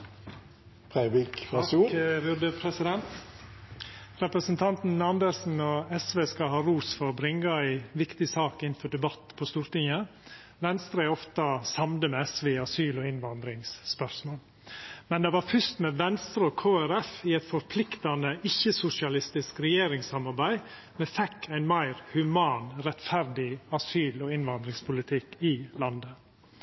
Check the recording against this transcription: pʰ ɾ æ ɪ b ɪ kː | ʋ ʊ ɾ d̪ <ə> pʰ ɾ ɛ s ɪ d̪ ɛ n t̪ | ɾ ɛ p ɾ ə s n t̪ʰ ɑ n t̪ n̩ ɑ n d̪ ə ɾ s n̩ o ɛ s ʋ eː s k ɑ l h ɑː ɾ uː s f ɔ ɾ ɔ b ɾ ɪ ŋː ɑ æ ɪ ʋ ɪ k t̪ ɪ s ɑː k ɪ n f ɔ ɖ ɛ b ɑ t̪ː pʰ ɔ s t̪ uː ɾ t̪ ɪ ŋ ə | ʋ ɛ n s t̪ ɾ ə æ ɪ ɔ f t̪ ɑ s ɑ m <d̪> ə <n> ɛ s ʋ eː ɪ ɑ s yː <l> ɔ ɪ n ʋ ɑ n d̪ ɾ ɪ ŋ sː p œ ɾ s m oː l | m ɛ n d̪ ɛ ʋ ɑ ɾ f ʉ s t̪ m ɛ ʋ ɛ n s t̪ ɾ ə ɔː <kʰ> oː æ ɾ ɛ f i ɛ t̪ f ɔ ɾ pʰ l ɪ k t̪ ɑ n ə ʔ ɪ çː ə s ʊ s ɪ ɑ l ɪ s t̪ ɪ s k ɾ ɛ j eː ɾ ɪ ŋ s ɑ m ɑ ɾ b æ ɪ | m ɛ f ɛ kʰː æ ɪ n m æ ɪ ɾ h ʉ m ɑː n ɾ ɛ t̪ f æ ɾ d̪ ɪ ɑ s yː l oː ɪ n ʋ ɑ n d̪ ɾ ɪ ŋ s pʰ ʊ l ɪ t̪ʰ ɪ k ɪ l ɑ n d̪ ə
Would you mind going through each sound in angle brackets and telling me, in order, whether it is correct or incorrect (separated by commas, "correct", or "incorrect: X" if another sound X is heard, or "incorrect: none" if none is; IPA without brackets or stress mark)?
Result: correct, correct, incorrect: m, correct, correct